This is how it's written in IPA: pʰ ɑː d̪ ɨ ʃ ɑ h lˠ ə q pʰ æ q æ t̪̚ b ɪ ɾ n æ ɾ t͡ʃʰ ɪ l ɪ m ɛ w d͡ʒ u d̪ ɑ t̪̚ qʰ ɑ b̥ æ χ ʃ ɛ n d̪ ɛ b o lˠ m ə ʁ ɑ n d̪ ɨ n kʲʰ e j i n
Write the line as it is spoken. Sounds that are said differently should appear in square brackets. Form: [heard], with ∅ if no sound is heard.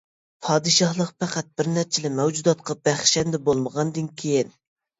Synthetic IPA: pʰ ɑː d̪ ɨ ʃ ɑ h lˠ ə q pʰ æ q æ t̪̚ b ɪ ɾ n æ ɾ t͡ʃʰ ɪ l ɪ m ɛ w d͡ʒ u d̪ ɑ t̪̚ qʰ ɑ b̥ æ χ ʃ ɛ n d̪ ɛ b o lˠ m ə ʁ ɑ n d̪ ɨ n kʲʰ e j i n